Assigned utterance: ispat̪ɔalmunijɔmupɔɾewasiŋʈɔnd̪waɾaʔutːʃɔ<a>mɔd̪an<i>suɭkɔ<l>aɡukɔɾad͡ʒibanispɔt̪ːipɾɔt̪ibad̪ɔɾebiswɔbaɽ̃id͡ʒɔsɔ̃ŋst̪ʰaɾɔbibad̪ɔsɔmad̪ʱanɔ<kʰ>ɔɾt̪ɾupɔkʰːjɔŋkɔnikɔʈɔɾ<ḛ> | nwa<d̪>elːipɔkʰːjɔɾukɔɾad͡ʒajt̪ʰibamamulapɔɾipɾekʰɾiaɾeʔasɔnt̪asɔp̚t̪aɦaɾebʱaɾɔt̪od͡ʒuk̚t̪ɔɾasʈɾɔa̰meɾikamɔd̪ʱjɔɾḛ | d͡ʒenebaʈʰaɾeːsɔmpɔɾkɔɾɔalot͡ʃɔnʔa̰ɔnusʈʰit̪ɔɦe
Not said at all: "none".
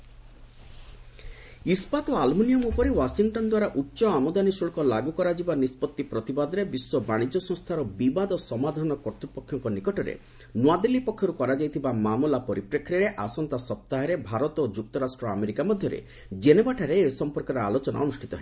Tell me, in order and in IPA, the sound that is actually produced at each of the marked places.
a, i, l, k, ḛ, d̪

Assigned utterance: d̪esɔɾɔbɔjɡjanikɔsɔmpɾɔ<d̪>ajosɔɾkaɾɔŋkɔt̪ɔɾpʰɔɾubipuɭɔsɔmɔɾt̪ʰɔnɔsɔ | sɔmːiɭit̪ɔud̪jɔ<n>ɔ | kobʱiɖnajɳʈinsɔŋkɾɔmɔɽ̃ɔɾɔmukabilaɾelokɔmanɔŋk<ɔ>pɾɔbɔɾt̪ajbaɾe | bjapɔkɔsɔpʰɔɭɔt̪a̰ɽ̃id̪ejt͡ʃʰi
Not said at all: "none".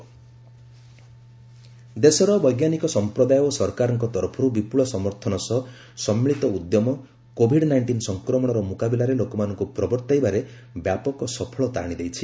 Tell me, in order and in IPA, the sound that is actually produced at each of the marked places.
d̪, m, u

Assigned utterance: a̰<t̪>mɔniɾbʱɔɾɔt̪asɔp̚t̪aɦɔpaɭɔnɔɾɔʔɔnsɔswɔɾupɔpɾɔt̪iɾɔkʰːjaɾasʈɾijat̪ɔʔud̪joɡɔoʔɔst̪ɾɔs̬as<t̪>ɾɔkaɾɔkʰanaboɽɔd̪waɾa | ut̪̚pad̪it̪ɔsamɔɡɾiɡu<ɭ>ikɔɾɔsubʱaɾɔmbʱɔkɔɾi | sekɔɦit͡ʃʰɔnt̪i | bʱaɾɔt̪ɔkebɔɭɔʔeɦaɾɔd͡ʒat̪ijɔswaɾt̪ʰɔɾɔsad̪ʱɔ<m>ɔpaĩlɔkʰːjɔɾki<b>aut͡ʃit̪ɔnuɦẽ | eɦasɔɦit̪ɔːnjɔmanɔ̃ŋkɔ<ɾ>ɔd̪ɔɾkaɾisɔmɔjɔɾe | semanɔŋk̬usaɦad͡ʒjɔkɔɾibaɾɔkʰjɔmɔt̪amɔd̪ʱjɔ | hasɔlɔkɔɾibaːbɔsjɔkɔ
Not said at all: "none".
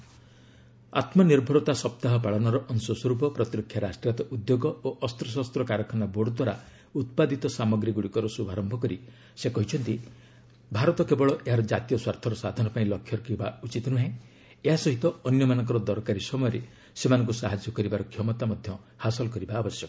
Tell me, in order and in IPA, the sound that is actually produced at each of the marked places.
t̪, t̪, ɽ, n, b, ɾ

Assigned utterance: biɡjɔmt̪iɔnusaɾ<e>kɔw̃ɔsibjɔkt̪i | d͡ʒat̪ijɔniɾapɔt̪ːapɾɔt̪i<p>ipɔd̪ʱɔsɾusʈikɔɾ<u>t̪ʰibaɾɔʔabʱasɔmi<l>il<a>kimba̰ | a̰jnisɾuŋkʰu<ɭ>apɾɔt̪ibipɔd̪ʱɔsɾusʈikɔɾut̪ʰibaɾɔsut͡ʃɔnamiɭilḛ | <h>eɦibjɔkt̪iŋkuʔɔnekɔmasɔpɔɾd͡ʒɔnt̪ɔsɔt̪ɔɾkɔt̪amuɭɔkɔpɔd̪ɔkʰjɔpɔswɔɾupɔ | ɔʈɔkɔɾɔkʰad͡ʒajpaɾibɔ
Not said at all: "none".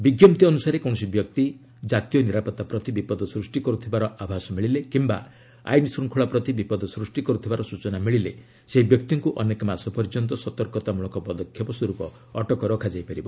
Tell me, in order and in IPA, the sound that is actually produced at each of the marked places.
e, b, u, ɭ, e, ɭ, s

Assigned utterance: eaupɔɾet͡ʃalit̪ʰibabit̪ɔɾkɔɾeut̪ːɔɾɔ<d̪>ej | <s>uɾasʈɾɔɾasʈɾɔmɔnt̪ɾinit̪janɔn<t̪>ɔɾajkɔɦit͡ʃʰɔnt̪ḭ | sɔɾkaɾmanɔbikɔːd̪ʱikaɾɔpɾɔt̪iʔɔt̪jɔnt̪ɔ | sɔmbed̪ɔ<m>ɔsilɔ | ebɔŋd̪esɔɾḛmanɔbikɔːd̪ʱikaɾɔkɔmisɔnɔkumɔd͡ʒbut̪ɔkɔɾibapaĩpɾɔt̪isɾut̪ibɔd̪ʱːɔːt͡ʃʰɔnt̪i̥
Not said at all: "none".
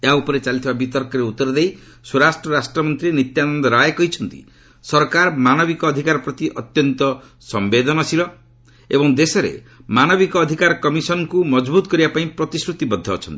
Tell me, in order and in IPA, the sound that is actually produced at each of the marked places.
d̪, s, d̪, n

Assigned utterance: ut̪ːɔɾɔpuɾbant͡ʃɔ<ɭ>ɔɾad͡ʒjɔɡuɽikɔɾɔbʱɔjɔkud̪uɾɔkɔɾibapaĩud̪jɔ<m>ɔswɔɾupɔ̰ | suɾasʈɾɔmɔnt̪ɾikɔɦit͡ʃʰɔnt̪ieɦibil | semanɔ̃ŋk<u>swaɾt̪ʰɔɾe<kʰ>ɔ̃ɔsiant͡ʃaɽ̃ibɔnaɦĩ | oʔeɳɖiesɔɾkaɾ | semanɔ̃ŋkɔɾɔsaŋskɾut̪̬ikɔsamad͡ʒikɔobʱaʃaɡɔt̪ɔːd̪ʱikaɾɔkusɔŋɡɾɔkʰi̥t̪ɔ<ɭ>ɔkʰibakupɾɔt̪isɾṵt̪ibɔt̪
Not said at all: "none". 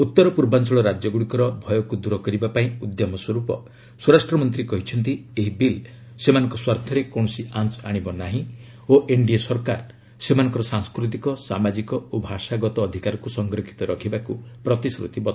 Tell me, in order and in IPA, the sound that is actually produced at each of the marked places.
ɭ, m, ɔ, k, ɾ

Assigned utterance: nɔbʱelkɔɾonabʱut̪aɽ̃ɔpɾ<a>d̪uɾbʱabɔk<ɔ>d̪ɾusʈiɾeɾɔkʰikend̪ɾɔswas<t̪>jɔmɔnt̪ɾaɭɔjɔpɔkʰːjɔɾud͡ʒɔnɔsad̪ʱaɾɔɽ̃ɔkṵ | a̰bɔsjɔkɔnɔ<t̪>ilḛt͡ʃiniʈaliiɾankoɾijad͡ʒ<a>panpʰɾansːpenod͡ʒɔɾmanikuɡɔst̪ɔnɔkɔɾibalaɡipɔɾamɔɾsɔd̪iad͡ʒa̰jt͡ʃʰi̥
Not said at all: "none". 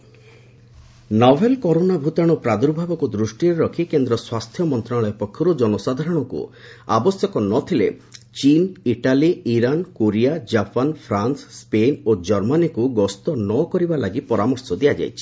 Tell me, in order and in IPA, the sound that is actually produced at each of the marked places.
a, u, t̪ʰ, t̪ʰ, a

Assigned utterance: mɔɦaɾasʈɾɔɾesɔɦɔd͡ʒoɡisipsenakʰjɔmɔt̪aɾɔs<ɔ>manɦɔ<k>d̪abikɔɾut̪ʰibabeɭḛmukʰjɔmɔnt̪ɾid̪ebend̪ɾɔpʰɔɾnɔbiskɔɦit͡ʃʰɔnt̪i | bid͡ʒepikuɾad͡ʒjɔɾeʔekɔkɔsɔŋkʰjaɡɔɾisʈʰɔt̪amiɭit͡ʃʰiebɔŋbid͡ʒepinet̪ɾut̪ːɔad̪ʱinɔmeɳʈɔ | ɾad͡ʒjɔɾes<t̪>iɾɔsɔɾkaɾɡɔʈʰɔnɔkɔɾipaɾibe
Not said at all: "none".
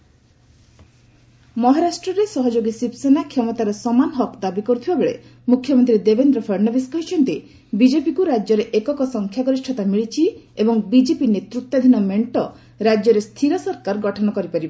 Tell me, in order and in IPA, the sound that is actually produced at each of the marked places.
ɔ, k, t̪ʰ

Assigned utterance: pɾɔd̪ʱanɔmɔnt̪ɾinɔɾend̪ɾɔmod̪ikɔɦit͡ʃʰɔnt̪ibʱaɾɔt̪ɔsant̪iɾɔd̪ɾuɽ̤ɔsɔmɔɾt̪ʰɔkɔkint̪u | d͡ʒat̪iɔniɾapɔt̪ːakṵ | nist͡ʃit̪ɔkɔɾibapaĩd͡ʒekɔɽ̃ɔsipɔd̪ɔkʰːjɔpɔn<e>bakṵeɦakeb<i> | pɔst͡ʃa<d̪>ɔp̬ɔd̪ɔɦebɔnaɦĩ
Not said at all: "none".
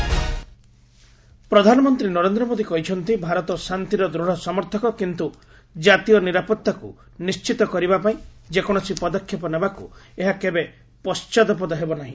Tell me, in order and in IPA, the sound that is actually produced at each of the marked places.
e, e, d̪

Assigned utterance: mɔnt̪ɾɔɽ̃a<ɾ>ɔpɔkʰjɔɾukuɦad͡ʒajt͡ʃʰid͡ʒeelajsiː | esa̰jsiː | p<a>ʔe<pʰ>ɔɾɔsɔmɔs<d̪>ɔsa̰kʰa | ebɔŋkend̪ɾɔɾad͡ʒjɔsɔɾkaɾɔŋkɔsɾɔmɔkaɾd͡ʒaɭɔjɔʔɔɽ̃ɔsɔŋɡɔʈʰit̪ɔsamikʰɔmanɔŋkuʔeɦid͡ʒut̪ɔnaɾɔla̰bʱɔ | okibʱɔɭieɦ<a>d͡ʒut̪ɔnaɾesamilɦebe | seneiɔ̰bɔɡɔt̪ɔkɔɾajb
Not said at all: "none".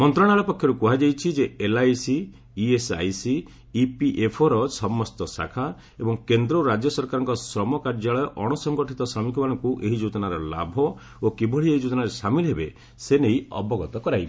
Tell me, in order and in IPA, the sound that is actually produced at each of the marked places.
ɭ, i, pʰ, t̪, i

